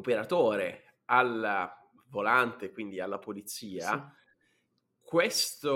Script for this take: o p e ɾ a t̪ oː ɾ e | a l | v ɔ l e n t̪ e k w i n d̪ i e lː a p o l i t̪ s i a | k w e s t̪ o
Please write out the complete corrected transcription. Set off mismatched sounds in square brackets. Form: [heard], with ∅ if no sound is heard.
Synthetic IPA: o p e ɾ a t̪ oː ɾ e | a l | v [o] l [a] n t̪ e k w i n d̪ i [a] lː a p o l i t̪ s [iː] a | k w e s t̪ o